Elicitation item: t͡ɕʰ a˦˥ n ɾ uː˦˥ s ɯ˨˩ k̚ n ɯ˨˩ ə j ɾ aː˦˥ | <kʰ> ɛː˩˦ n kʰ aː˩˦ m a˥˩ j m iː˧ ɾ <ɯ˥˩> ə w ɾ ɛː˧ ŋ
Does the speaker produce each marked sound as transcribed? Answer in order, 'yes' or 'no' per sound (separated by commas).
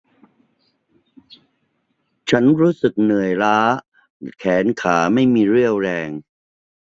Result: yes, yes